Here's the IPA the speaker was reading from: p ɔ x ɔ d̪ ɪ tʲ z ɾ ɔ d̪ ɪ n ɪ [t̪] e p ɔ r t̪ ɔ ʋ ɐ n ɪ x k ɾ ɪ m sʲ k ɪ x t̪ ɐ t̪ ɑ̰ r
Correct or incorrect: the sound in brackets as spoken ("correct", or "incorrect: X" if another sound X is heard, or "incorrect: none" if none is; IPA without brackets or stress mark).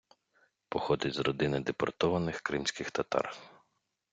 incorrect: d̪